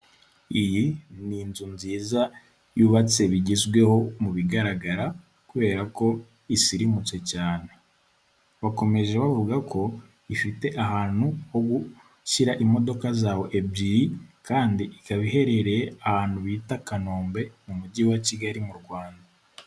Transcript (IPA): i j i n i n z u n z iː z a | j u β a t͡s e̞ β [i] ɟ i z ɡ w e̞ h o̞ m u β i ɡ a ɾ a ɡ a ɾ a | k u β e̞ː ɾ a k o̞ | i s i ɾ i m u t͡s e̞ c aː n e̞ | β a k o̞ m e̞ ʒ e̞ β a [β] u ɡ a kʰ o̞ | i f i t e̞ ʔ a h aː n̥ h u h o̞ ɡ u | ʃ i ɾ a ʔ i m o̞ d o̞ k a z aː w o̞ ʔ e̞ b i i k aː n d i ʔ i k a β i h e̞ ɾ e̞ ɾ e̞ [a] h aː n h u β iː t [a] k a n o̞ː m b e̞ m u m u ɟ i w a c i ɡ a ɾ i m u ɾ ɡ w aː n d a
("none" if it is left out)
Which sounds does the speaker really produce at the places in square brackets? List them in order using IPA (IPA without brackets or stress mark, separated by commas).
i, v, a, a